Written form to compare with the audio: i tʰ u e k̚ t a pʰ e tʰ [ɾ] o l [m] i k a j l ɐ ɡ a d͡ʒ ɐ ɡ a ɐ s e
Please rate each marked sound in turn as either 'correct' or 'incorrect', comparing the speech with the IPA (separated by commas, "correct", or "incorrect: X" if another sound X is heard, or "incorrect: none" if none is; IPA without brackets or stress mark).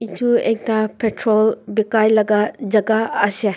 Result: correct, incorrect: b